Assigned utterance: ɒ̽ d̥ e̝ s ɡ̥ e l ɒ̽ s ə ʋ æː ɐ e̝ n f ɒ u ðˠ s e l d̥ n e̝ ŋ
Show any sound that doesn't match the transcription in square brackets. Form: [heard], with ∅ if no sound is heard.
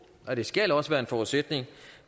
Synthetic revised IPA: ɒ̽ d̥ e̝ s ɡ̥ [æ] l ɒ̽ s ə ʋ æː ɐ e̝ n f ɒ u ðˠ s e [∅] d̥ n e̝ ŋ